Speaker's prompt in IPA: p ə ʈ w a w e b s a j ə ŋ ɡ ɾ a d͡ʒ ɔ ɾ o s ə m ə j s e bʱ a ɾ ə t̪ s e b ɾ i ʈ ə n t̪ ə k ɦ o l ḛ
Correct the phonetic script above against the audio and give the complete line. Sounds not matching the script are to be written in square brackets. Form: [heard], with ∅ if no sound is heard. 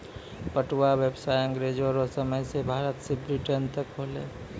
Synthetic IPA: p ə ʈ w a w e b s a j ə ŋ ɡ ɾ [e] d͡ʒ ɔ ɾ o s ə m ə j s e bʱ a ɾ ə t̪ s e b ɾ i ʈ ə n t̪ ə k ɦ o l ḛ